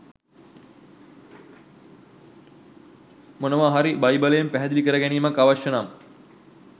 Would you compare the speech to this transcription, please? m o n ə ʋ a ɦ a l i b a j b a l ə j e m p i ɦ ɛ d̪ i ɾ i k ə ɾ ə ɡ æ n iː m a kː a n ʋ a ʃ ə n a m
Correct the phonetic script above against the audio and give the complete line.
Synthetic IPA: m o n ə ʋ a ɦ a ɾ i b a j b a l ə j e m p æ ɦ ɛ d̪ i l i k ə ɾ ə ɡ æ n iː m a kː a ʋ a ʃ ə n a m